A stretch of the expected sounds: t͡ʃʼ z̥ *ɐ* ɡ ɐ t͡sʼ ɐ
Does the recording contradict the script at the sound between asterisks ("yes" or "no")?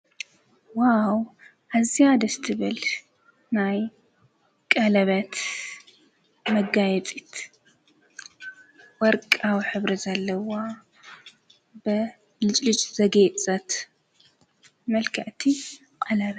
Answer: no